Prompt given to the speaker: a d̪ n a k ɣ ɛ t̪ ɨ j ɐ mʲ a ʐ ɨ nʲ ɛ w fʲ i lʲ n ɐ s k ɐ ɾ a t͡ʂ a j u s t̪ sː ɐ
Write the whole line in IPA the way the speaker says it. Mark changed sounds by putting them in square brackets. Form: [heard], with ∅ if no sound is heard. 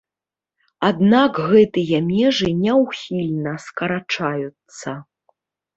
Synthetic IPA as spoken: a d̪ n a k ɣ ɛ t̪ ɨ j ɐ mʲ [ɛ] ʐ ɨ nʲ ɛ w [xʲ] i lʲ n ɐ s k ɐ ɾ a t͡ʂ a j u [∅] t̪ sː ɐ

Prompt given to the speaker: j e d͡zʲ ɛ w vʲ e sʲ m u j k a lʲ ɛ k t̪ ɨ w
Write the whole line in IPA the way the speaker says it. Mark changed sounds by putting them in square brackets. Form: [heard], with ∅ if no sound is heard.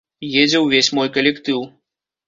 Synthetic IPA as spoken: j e d͡zʲ ɛ w vʲ e sʲ m [ɔ] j k [ɐ] lʲ ɛ k t̪ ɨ w

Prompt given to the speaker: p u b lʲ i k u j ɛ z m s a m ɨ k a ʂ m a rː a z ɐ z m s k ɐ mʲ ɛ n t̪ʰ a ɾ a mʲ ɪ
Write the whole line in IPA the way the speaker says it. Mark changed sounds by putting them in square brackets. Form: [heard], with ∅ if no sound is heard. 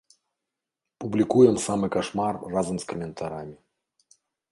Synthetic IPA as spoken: p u b lʲ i k u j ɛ [∅] m s a m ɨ k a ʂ m a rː a z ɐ [∅] m s k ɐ mʲ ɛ n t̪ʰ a ɾ a mʲ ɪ

